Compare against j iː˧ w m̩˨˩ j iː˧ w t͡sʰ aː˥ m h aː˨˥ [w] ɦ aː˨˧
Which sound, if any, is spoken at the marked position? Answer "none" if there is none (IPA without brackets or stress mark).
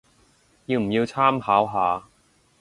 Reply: w